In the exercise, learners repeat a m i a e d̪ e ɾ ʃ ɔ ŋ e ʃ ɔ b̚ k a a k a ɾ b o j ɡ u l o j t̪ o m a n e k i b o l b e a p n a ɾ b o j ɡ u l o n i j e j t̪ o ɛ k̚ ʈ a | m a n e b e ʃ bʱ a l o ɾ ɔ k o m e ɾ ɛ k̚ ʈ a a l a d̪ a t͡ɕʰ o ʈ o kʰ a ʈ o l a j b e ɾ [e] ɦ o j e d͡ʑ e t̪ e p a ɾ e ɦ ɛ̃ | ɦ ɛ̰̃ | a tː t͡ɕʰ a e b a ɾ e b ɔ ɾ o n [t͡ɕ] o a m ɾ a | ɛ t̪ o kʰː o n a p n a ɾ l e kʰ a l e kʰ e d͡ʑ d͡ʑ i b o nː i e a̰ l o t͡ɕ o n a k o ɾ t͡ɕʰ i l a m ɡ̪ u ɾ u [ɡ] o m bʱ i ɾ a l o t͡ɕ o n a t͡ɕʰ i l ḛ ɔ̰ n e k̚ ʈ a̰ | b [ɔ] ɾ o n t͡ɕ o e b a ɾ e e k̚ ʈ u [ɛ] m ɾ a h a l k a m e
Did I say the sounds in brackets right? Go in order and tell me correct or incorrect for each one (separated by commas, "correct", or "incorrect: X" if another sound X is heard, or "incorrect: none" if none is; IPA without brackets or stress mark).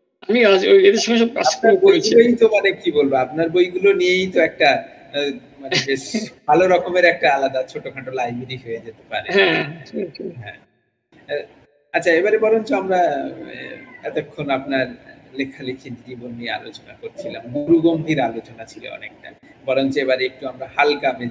incorrect: i, correct, correct, correct, incorrect: a